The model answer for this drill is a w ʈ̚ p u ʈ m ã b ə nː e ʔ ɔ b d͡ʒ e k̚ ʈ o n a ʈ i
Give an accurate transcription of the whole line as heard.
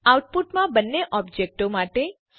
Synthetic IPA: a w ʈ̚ p u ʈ m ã b ə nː e ʔ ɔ b d͡ʒ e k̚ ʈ o m a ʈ e